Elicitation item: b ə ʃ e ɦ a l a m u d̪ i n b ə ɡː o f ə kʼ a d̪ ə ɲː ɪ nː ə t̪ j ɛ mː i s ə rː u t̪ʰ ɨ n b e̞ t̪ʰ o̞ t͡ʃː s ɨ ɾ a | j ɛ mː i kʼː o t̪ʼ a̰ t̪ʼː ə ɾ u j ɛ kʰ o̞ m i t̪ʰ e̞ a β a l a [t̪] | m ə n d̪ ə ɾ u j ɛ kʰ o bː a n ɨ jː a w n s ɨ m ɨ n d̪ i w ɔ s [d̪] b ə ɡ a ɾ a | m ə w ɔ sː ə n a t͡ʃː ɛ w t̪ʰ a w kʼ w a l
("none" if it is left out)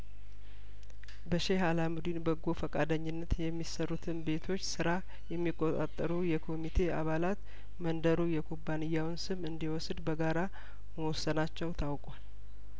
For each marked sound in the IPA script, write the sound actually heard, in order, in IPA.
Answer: t̪, d̪

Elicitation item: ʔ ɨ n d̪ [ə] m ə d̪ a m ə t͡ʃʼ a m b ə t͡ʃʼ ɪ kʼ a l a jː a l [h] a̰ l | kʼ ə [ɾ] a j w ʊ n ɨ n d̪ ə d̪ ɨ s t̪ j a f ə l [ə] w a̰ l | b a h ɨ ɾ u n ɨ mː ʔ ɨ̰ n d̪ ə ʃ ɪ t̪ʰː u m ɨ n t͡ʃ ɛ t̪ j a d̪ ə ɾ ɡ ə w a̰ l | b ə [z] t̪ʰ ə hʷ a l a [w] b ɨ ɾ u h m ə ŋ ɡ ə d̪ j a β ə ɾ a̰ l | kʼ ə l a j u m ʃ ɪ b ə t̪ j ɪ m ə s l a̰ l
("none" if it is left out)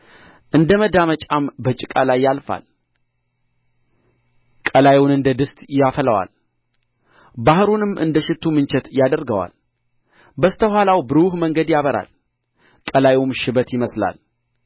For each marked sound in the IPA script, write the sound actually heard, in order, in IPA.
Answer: ə, f, l, ə, s, w

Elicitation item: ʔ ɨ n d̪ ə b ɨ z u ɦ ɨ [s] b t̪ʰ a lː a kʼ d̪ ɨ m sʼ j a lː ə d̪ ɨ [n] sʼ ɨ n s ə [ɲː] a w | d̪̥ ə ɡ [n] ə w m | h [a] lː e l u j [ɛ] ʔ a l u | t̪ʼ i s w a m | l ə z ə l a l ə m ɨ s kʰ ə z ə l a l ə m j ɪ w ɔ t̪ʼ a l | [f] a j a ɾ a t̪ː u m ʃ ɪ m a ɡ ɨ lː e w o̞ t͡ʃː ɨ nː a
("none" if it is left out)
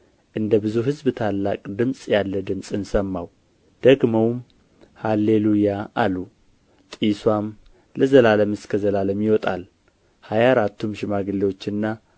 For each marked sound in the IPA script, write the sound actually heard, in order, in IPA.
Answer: z, m, mː, m, a, a, h

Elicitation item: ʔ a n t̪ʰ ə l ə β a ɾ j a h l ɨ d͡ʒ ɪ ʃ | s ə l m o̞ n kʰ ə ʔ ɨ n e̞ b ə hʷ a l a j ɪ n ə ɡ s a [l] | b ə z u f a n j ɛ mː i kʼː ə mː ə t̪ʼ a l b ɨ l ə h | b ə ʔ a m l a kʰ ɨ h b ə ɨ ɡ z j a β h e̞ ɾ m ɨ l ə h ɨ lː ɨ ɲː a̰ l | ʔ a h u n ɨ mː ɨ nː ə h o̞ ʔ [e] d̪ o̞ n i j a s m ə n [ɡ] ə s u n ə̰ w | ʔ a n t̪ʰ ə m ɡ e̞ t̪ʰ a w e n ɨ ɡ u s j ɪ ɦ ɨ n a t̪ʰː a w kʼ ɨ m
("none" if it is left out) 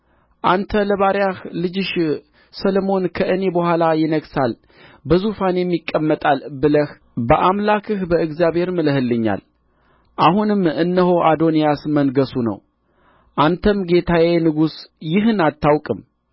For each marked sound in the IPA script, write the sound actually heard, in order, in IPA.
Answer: l, a, ɡ

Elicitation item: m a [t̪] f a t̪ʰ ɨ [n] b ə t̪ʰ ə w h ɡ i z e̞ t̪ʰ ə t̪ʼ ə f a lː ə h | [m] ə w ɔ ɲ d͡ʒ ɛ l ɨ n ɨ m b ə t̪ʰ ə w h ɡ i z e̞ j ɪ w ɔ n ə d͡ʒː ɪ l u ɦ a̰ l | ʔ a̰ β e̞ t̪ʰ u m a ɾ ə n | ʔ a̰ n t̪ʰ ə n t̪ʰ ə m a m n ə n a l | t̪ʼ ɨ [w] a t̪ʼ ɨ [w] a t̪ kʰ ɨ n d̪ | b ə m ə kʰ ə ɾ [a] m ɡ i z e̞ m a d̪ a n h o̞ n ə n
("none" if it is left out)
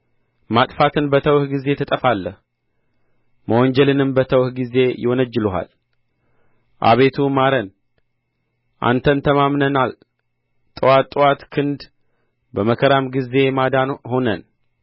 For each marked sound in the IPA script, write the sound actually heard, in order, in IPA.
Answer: t̪ʼ, n, m, w, w, a

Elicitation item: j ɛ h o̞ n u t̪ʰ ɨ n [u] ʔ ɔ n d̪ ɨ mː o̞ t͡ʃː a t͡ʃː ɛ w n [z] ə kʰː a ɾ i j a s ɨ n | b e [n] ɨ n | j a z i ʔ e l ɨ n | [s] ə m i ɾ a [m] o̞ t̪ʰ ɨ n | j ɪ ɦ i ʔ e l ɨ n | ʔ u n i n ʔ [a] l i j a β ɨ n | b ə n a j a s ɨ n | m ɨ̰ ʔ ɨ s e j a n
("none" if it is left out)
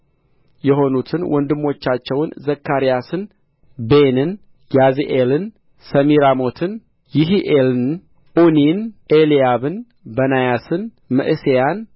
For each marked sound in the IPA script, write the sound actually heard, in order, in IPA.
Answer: w, z, n, s, m, e

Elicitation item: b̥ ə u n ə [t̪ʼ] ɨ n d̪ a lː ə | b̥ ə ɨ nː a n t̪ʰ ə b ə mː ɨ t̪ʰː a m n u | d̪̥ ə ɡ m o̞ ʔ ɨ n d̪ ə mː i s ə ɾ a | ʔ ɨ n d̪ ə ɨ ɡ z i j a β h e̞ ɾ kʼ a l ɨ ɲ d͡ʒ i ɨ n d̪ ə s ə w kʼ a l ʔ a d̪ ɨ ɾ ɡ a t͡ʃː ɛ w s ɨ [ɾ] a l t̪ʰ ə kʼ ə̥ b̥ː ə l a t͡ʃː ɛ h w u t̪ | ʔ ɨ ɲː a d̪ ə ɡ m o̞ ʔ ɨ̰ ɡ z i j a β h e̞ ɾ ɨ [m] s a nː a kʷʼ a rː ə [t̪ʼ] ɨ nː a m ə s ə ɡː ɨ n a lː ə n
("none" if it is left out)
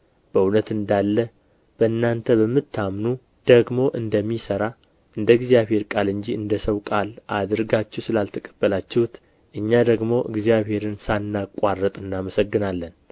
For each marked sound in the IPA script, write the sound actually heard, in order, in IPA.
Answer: t̪, l, n, t̪ʼ

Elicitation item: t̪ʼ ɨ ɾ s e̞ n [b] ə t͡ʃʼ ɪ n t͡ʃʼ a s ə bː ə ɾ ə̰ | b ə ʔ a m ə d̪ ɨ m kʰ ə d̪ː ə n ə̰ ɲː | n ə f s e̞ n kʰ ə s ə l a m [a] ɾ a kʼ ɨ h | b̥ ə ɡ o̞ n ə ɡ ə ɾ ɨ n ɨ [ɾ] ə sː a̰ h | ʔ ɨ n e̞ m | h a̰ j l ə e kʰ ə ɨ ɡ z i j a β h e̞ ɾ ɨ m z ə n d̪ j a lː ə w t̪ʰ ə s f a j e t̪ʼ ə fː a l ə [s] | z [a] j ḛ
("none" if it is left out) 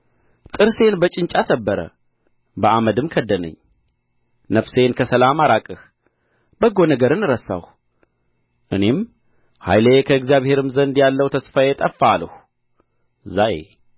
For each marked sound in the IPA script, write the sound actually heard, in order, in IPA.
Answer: b, a, ɾ, h, a

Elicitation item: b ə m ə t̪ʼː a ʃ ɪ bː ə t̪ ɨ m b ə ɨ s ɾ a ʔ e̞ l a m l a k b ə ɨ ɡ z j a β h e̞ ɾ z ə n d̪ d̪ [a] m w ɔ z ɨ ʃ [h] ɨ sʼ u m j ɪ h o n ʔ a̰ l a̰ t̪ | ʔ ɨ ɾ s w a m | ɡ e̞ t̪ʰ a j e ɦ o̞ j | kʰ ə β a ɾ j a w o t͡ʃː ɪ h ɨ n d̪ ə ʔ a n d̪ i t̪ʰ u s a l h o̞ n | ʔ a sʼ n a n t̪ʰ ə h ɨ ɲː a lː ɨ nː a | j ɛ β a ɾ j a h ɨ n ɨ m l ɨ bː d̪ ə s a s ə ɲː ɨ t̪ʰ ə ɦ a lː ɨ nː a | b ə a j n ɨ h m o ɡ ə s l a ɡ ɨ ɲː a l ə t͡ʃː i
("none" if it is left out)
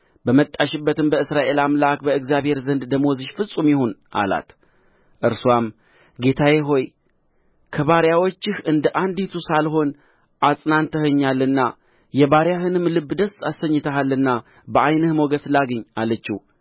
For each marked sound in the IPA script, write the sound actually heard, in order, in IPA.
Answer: ə, f

